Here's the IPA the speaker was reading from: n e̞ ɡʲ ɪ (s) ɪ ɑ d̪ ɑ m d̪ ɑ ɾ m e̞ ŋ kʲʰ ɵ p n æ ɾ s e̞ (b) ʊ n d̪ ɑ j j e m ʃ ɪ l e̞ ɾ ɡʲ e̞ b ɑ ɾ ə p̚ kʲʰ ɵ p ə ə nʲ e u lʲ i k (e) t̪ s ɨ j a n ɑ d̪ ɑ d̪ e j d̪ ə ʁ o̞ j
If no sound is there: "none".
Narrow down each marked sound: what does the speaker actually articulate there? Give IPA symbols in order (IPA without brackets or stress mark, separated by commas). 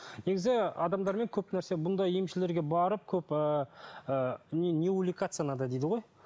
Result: z, b, a